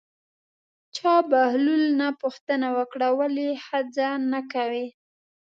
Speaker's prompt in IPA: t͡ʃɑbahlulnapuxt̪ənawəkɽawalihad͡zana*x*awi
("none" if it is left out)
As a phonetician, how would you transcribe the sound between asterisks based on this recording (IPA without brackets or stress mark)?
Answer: k